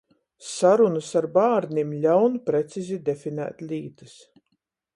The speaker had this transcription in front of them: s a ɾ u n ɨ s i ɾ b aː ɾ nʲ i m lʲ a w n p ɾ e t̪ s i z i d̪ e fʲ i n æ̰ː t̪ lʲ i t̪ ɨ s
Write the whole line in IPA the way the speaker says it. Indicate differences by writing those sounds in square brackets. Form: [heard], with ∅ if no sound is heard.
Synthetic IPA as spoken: s a ɾ u n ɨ s [a] ɾ b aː ɾ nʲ i m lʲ a w n p ɾ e t̪ s i z i d̪ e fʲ i n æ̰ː t̪ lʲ [iː] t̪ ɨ s